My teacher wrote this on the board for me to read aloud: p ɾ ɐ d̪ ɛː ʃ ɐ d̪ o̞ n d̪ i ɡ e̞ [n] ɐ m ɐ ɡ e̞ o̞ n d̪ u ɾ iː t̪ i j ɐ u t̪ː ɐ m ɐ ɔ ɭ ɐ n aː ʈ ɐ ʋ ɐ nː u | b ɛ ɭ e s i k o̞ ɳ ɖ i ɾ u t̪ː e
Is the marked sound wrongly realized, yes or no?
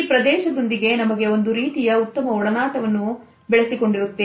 no